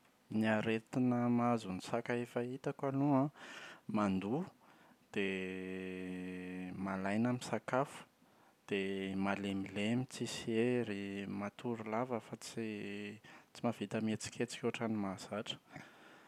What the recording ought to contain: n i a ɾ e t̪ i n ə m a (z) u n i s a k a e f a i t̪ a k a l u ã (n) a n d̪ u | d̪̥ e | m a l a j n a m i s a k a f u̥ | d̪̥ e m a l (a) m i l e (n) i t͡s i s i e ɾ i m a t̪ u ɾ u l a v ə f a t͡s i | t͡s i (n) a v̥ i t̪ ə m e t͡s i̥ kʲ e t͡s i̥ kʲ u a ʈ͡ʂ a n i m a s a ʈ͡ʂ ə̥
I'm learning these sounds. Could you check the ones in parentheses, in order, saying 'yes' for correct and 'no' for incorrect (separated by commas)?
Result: yes, no, no, no, no